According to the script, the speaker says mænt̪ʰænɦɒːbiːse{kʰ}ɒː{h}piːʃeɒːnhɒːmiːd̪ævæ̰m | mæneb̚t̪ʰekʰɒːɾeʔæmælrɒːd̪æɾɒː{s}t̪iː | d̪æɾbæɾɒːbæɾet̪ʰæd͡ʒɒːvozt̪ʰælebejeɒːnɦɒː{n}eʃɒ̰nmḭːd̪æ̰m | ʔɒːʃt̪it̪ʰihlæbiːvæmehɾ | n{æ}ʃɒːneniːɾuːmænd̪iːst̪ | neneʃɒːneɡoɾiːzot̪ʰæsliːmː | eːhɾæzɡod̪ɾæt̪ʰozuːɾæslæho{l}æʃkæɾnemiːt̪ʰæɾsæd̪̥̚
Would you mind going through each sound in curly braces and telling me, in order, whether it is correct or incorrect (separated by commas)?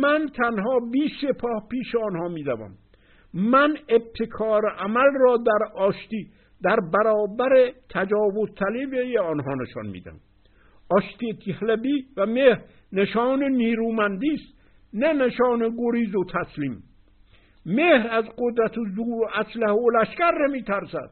incorrect, correct, incorrect, correct, incorrect, correct